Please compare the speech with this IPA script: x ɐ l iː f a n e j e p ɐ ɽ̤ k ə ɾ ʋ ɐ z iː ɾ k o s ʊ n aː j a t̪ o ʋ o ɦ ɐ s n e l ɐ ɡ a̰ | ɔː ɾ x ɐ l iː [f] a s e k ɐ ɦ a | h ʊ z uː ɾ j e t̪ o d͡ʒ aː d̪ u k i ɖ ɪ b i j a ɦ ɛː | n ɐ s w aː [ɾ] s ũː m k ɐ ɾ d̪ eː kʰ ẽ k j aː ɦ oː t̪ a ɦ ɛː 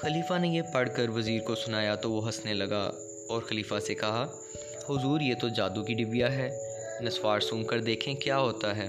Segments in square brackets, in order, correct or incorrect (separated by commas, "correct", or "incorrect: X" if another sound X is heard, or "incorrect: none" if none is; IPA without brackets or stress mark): correct, correct